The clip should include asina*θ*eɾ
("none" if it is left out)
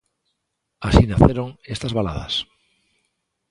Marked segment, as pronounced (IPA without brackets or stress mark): θ